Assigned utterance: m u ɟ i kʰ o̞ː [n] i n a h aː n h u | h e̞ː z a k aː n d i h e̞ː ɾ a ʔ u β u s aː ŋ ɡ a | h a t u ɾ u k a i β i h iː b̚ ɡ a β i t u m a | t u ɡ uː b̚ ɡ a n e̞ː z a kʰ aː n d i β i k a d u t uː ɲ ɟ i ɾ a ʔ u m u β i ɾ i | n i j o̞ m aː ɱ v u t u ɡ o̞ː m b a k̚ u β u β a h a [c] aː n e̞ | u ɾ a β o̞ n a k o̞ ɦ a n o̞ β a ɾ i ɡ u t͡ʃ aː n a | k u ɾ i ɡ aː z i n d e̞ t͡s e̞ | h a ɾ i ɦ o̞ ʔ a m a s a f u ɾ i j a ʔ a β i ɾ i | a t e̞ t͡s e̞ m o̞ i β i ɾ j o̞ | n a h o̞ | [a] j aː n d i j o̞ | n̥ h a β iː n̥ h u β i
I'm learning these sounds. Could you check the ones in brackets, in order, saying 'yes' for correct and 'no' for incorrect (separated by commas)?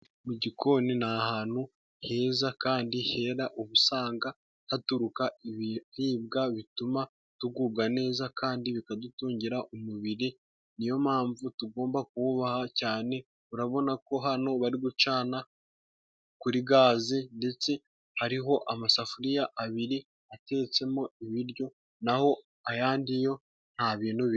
yes, yes, yes